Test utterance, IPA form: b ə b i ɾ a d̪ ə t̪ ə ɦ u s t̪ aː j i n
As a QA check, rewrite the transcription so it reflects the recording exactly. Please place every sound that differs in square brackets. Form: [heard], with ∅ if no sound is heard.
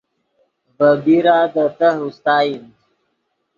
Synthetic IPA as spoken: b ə b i ɾ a d̪ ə t̪ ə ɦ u s t̪ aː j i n